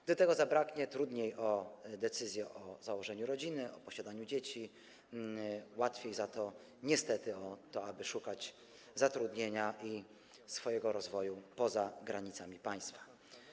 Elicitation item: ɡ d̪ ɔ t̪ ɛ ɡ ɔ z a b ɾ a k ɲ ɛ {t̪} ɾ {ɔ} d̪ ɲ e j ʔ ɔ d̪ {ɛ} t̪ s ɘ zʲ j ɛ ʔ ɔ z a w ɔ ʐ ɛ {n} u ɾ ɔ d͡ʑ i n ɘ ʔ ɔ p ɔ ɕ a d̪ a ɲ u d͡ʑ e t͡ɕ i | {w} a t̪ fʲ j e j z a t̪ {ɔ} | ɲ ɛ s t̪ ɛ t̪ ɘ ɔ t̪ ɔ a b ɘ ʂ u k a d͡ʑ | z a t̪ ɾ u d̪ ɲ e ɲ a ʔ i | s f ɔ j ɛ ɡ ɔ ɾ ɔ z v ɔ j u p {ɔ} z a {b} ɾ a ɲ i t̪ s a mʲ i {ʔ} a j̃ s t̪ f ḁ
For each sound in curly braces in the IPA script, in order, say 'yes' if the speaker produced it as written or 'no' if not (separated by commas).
yes, no, yes, no, yes, yes, yes, no, no